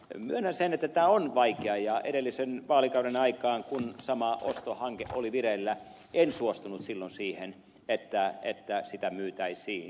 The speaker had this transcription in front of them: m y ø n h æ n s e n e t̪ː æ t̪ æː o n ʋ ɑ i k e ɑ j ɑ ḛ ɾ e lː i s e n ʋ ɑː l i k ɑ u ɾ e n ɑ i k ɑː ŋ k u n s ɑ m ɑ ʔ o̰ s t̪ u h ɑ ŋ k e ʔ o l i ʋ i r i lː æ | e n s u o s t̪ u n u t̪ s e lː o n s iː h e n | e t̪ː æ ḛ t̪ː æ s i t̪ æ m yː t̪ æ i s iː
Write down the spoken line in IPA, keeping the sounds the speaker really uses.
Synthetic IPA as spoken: m y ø n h æ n s e n e t̪ː æ t̪ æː o n ʋ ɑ i k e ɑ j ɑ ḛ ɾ e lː i s e n ʋ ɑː l i k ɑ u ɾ e n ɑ i k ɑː ŋ k u n s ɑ m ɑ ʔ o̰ s t̪ o h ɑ ŋ k e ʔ o l i ʋ i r e lː æ | e n s u o s t̪ u n u t̪ s i lː o n s iː h e n | e t̪ː æ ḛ t̪ː æ s i t̪ æ m yː t̪ æ i s iː